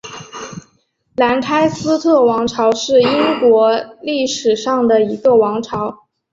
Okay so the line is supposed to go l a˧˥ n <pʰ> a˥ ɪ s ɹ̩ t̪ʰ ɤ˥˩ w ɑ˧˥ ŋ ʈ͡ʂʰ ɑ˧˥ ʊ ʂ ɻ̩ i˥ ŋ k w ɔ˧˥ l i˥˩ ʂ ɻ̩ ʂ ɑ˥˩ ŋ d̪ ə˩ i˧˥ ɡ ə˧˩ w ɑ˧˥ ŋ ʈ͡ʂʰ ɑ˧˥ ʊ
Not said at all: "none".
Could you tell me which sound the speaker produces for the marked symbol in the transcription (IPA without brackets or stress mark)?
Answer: kʰ